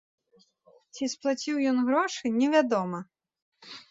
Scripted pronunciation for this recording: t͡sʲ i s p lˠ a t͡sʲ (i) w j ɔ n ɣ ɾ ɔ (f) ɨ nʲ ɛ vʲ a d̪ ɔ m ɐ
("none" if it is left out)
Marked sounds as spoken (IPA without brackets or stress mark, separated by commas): i, ʂ